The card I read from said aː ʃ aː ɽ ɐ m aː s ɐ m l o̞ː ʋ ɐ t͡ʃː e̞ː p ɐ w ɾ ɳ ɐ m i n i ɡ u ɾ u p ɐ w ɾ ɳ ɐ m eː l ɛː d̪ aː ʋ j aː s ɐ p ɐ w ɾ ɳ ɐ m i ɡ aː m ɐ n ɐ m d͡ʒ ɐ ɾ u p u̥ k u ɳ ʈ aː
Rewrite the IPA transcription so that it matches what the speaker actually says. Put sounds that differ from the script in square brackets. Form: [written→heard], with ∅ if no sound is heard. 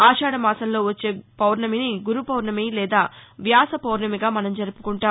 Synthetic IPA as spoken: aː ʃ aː ɽ ɐ m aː s ɐ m l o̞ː ʋ ɐ t͡ʃː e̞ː p ɐ w ɾ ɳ ɐ m i n i ɡ u ɾ u p ɐ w ɾ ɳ ɐ m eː l ɛː d̪ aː ʋ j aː s ɐ p ɐ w ɾ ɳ ɐ m i ɡ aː m ɐ n ɐ m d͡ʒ ɐ ɾ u p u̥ k u ɳ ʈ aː